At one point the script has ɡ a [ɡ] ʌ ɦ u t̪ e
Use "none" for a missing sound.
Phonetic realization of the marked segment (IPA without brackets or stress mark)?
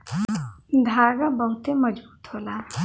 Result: b